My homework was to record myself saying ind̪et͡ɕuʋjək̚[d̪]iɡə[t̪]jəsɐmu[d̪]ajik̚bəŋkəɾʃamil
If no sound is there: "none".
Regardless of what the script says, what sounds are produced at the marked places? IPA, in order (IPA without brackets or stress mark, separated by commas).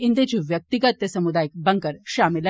t̪, t̪, d̪